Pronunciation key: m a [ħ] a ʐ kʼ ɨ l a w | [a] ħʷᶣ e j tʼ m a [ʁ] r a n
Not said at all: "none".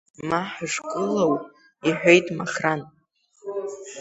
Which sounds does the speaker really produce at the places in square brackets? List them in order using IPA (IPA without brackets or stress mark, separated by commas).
ħ, i, χ